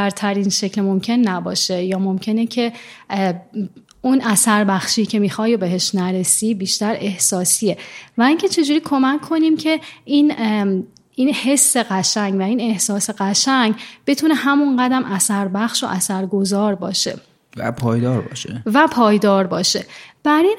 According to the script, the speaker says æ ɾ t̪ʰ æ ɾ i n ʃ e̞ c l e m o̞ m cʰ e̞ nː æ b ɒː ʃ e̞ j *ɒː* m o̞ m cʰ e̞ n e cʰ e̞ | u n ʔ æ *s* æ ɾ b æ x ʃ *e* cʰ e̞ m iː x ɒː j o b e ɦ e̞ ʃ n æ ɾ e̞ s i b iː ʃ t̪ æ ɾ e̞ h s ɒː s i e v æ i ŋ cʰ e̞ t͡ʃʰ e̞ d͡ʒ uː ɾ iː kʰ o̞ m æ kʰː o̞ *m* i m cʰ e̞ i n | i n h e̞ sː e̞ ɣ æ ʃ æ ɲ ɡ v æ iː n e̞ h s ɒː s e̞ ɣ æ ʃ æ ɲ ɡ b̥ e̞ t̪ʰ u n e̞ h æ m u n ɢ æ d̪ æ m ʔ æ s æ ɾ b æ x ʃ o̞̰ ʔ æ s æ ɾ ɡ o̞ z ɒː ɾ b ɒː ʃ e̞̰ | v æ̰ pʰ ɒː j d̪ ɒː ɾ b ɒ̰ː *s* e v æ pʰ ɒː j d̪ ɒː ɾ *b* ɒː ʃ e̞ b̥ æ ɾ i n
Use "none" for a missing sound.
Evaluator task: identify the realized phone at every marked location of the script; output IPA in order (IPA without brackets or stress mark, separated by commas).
ɒː, s, i, n, ʃ, b